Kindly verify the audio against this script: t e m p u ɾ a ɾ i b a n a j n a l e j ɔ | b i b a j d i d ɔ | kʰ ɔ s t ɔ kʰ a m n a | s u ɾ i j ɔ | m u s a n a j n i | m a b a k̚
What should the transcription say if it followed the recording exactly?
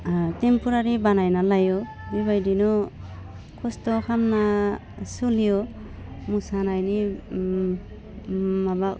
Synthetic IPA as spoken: t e m p u ɾ a ɾ i b a n a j n a l a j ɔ | b i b a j d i n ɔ | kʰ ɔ s t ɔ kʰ a m n a | s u l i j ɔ | m u s a n a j n i | m a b a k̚